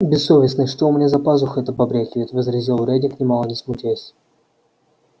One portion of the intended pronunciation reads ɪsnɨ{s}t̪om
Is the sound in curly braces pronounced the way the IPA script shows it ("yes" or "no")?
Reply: no